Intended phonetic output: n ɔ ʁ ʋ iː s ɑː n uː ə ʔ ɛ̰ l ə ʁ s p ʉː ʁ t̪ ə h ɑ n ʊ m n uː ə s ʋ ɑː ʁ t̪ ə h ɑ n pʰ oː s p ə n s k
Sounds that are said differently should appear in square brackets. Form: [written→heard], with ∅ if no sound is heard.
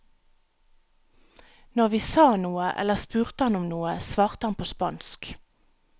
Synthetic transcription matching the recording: n ɔ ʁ ʋ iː s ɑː n uː ə ʔ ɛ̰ l ə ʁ s p ʉː ʁ t̪ ə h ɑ n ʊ m n uː ə s ʋ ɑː ʁ t̪ ə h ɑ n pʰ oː s p [ə→ɑ] n s k